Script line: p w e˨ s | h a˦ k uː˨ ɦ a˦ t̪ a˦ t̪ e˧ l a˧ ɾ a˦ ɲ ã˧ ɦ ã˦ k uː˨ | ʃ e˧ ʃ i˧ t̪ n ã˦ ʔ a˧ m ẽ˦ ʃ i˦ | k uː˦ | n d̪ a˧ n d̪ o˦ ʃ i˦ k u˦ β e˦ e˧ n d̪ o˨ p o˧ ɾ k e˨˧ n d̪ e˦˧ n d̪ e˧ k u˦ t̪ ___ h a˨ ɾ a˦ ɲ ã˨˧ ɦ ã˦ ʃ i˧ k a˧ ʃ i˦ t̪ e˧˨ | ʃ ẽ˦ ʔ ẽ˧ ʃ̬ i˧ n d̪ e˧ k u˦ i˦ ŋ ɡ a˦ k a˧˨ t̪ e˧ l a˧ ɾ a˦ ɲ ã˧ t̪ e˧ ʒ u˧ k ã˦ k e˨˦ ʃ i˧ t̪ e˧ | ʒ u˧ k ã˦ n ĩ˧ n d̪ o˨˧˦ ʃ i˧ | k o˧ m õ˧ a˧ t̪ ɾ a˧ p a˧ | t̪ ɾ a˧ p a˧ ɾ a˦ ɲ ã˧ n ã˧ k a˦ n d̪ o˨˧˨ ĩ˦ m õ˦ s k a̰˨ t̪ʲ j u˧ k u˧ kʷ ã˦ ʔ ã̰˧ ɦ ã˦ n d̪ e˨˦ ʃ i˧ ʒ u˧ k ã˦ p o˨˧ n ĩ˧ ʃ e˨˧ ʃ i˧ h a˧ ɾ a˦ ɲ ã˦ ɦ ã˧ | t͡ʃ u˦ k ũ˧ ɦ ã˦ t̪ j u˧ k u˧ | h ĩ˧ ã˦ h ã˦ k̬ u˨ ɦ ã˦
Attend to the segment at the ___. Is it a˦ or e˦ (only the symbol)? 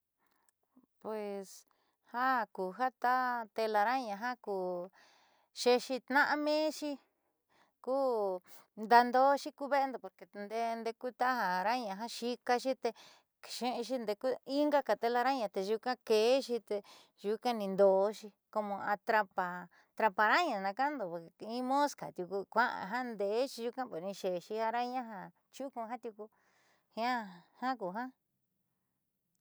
a˦